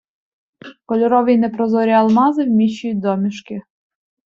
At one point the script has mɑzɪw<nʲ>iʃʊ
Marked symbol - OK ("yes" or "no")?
no